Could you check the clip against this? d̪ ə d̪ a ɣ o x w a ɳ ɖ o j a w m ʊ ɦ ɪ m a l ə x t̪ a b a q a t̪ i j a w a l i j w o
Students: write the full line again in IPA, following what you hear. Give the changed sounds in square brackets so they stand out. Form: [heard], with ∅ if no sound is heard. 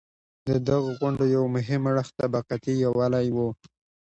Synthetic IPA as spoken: d̪ ə d̪ a ɣ o [ɣ] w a ɳ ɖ o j a w m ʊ ɦ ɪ m a [ɽ] ə x t̪ a b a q a t̪ i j a w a l [a] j w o